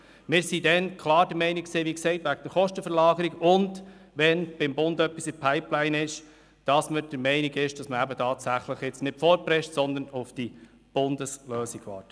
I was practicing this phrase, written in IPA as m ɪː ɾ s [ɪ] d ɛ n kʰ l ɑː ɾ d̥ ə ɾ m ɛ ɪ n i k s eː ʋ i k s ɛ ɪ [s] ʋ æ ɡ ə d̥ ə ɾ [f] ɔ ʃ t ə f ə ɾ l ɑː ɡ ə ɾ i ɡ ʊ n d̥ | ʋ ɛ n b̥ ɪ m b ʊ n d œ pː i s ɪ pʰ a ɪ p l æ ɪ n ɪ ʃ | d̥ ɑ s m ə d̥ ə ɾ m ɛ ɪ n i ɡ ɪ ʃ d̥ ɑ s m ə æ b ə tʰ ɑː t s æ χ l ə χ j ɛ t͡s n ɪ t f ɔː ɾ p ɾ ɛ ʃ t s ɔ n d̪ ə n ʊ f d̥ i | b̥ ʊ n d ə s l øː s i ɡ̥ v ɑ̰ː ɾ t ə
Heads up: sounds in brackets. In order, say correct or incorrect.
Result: incorrect: i, incorrect: t, incorrect: χ

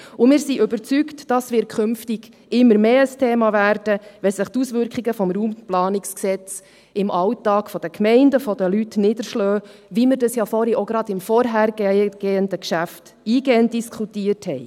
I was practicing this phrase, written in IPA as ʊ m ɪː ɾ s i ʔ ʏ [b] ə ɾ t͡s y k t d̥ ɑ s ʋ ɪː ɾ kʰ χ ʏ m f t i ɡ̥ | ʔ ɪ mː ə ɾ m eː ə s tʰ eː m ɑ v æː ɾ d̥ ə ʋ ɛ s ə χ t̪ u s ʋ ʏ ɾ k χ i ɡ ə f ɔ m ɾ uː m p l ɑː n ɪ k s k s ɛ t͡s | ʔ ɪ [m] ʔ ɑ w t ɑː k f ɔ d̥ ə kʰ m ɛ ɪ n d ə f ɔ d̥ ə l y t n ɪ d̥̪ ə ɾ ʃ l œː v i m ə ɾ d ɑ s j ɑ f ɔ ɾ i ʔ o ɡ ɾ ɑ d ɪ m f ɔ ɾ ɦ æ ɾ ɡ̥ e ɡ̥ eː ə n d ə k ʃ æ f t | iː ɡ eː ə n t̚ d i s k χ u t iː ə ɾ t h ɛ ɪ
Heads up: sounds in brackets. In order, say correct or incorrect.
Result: correct, correct

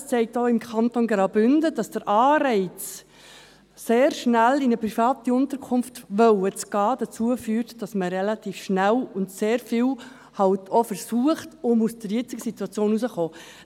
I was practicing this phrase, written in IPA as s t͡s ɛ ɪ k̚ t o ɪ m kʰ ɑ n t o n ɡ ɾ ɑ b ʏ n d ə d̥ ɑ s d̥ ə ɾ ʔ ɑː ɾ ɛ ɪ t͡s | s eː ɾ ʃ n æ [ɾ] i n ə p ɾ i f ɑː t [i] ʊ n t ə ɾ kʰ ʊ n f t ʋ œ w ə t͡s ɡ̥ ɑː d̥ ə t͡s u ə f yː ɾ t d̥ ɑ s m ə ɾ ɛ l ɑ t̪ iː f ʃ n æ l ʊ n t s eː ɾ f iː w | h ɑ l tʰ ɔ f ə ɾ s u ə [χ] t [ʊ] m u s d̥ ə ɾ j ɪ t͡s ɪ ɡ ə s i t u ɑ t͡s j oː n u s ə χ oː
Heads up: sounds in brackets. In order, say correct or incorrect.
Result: incorrect: l, correct, correct, correct

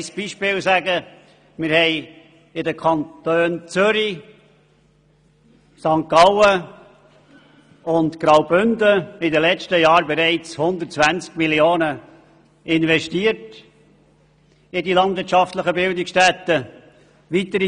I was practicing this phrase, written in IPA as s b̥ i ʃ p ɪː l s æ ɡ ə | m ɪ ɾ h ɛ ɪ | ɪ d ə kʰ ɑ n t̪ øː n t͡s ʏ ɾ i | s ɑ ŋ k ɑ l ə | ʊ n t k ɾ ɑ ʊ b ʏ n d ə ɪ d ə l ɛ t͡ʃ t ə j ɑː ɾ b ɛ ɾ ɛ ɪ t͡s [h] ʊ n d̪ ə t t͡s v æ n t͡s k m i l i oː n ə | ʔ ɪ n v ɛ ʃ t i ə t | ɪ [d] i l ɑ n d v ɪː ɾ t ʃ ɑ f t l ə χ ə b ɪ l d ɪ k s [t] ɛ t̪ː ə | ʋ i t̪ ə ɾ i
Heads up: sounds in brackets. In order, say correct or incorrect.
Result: correct, correct, correct

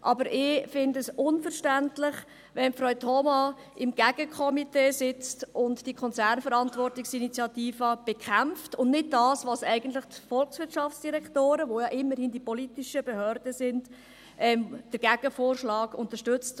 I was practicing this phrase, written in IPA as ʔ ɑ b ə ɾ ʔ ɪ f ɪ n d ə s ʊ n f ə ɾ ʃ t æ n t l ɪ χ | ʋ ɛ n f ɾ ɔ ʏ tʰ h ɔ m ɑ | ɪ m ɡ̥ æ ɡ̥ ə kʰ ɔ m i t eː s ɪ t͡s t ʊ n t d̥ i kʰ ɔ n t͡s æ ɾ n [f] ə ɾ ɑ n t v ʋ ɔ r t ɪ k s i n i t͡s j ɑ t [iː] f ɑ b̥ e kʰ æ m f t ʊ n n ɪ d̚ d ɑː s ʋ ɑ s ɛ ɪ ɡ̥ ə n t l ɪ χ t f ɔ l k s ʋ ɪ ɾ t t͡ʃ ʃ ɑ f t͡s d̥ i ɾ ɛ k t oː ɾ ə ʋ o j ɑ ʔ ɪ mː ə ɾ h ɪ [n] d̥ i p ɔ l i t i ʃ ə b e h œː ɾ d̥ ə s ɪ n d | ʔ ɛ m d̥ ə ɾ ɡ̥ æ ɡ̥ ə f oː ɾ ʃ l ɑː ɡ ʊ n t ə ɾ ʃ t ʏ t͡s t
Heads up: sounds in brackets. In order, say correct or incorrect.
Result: correct, correct, correct

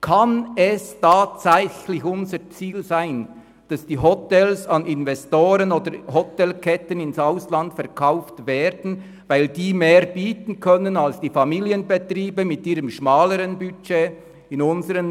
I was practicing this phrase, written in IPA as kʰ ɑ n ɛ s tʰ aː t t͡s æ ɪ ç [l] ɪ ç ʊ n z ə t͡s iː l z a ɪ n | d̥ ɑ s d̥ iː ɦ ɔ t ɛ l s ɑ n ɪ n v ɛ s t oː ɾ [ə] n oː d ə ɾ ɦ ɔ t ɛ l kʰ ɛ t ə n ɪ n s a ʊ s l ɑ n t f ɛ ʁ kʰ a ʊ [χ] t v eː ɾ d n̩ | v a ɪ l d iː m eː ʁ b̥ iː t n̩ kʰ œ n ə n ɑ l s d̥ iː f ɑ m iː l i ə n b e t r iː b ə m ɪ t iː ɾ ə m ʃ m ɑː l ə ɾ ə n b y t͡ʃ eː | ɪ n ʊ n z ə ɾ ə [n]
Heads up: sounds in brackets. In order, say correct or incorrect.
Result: correct, correct, incorrect: f, correct

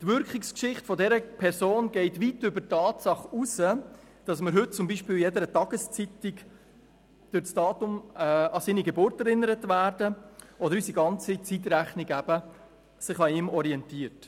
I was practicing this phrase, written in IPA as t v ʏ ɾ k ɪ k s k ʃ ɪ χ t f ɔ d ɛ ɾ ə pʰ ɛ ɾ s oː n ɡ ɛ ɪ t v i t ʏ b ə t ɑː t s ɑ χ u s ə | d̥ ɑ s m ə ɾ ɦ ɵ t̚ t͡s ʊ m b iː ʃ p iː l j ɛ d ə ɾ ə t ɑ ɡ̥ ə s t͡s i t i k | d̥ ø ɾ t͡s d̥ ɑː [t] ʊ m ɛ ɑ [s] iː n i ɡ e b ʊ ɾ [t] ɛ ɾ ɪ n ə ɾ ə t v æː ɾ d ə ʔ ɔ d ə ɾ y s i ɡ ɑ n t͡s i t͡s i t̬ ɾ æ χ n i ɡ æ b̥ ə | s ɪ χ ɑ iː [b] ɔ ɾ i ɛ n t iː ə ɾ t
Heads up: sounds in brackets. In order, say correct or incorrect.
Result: correct, correct, correct, incorrect: m

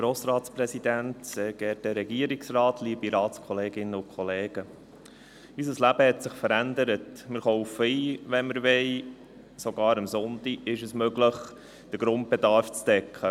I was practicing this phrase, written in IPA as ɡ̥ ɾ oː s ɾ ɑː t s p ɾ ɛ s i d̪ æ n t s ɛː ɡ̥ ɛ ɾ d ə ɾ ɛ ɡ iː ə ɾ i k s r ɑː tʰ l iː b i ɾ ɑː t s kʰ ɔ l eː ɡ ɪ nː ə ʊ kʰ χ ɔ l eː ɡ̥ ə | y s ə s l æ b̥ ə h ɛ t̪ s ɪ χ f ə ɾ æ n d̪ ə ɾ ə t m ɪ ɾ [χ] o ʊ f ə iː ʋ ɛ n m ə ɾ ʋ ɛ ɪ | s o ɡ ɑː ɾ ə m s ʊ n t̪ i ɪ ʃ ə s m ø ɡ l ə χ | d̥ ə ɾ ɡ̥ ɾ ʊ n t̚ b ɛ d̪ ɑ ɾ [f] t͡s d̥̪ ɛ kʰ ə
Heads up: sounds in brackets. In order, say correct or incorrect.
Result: correct, correct

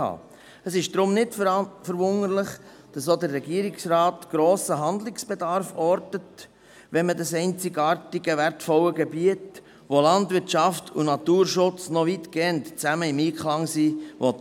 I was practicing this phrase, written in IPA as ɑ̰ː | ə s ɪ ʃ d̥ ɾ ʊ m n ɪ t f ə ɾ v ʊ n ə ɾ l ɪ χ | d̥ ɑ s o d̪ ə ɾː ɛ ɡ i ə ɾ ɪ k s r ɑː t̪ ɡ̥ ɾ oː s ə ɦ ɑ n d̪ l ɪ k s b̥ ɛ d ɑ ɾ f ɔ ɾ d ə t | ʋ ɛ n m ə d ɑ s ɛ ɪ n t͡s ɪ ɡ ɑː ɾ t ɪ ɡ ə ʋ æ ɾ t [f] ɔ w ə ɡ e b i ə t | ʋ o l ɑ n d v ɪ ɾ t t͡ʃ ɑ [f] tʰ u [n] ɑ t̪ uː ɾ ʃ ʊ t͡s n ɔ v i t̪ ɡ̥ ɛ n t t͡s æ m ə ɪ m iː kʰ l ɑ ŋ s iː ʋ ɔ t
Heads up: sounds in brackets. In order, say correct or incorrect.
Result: correct, correct, correct

